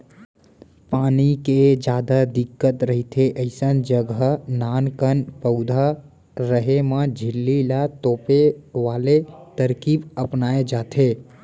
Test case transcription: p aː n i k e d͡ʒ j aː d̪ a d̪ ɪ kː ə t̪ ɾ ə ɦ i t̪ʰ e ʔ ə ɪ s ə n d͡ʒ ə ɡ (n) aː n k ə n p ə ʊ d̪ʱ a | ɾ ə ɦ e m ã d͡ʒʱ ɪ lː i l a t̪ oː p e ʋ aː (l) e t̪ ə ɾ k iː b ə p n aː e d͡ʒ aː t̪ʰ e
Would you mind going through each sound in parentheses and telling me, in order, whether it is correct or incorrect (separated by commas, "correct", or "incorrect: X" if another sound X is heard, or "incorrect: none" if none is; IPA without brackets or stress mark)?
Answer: correct, correct